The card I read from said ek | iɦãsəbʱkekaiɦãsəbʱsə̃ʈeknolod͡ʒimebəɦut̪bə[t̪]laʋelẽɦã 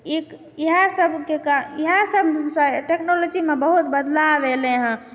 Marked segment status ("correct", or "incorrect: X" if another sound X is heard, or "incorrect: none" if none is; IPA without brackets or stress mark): incorrect: d̪